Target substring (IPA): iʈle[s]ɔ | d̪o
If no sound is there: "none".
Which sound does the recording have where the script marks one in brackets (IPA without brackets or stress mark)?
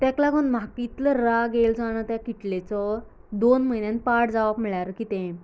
t͡s